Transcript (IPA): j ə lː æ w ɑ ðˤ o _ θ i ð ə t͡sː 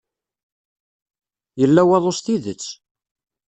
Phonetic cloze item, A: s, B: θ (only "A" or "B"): A